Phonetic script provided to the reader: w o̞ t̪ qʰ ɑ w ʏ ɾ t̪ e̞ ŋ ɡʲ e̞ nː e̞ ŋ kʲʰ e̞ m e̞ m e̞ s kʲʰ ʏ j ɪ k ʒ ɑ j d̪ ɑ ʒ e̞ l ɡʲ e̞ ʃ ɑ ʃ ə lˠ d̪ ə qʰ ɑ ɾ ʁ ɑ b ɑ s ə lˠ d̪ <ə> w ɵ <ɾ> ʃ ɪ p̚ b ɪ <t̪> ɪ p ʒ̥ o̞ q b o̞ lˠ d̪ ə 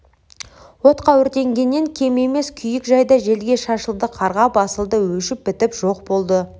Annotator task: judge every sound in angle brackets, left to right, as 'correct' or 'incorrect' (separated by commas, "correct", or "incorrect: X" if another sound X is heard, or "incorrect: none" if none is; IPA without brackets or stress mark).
correct, incorrect: none, correct